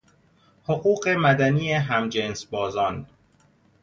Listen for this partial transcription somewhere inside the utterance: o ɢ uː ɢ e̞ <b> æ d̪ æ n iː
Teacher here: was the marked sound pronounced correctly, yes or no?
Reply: no